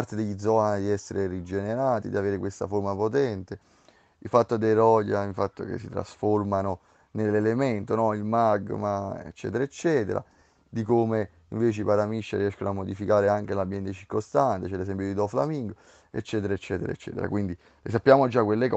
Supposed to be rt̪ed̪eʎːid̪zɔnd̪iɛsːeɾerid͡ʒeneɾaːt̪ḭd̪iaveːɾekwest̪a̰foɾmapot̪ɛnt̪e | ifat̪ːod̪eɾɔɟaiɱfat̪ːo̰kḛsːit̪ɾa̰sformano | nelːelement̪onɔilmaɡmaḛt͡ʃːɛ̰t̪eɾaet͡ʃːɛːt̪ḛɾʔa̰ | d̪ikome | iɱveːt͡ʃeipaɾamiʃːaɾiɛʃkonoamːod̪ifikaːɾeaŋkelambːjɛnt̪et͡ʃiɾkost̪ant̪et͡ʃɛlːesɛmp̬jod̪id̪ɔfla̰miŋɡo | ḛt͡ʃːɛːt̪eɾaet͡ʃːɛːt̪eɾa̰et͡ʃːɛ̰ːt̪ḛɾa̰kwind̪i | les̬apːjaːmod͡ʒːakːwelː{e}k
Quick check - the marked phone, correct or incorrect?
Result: correct